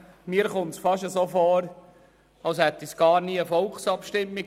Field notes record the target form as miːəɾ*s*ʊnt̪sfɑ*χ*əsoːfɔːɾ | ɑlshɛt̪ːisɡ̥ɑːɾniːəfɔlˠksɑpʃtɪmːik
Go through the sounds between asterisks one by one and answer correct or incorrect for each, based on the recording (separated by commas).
incorrect, incorrect